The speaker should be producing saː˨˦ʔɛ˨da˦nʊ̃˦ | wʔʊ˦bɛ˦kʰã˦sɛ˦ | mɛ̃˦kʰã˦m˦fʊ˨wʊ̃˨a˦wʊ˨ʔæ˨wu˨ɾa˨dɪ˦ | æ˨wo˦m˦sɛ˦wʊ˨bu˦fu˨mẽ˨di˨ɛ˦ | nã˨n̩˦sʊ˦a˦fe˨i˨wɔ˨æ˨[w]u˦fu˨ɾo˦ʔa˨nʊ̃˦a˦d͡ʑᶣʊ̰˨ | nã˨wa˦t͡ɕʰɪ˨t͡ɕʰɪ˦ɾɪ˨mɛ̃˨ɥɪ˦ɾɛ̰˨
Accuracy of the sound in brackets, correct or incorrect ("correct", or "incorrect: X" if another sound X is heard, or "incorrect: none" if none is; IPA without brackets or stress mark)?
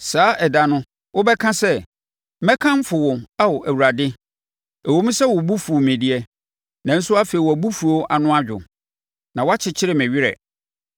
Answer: incorrect: b